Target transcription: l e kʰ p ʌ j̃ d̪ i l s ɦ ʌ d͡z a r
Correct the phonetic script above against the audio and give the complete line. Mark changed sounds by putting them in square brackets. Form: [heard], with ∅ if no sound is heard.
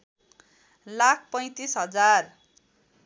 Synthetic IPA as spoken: l [a] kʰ p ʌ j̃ [t̪] i [∅] s ɦ ʌ d͡z a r